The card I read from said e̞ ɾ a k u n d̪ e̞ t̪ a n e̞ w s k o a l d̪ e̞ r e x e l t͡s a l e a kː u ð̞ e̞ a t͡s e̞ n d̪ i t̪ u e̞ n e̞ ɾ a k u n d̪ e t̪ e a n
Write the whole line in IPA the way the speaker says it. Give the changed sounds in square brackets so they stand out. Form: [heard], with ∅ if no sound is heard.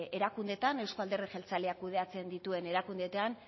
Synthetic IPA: e̞ ɾ a k u n d̪ e̞ t̪ a n e̞ w s k o a l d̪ e̞ r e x e l t͡s a l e a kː u ð̞ e̞ a t͡s e̞ n d̪ i t̪ u e̞ n e̞ ɾ a k u n d̪ e t̪ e a n